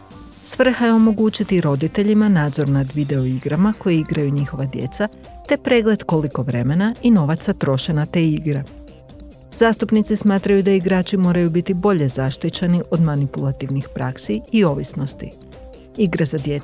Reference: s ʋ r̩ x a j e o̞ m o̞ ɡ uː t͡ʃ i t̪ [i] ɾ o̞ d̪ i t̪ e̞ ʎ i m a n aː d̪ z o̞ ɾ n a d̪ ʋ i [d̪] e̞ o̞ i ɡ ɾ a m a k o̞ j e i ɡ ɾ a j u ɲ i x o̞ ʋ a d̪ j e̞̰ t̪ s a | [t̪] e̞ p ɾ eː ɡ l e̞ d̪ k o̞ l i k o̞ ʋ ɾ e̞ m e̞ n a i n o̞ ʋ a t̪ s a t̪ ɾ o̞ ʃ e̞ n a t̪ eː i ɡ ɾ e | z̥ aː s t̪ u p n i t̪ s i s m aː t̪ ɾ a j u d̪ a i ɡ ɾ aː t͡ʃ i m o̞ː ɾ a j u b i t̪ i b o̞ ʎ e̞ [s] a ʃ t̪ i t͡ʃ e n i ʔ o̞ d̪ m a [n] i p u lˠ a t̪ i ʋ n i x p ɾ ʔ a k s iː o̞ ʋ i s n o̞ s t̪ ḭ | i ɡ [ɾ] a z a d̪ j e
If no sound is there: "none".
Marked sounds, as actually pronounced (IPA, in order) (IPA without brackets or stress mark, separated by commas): i, d̪, t̪, z, n, ɾ